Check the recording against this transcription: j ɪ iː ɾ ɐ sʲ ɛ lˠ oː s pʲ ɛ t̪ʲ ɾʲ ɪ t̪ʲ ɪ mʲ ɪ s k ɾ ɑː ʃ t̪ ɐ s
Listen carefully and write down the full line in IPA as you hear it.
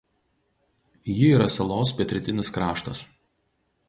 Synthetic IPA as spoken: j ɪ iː ɾ ɐ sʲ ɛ lˠ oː s pʲ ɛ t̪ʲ ɾʲ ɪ t̪ʲ ɪ nʲ ɪ s k ɾ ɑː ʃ t̪ ɐ s